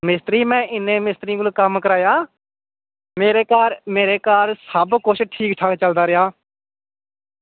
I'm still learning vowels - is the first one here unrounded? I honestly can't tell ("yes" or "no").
yes